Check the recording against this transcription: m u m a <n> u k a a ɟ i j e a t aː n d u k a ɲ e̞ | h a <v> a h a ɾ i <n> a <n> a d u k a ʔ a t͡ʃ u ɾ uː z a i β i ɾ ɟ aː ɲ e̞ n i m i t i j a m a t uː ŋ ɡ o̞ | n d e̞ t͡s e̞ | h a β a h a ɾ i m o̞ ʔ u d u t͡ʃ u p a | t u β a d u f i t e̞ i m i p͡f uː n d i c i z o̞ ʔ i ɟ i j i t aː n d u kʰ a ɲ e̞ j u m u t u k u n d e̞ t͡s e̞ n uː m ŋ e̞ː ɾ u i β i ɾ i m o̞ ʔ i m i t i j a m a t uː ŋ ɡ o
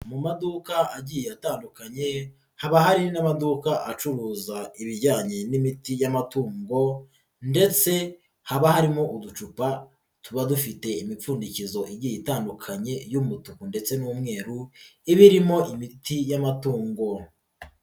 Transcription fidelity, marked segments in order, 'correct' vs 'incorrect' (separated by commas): incorrect, incorrect, correct, incorrect